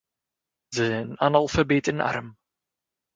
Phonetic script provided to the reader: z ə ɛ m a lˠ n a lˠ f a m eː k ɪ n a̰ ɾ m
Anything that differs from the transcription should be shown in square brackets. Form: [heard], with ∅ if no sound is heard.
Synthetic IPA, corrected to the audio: z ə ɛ [n] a [∅] n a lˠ f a [b] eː [t] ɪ n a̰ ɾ m